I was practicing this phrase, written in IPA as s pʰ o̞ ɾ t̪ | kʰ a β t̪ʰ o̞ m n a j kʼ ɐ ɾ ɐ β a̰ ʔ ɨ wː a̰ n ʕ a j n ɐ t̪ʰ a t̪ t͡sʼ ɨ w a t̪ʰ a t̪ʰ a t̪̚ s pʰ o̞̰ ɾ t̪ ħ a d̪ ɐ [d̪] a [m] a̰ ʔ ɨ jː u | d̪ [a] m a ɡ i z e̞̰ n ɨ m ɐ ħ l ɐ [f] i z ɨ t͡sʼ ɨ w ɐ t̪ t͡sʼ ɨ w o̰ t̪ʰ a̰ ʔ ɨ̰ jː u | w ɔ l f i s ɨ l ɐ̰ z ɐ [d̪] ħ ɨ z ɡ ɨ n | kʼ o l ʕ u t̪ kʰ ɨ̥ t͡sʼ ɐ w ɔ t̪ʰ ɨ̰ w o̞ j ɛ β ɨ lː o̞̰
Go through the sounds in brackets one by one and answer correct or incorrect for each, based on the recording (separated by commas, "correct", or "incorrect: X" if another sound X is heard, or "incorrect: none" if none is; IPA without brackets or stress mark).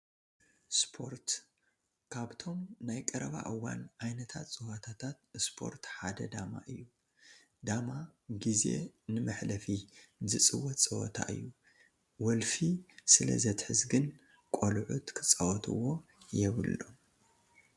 correct, correct, correct, correct, incorrect: t̪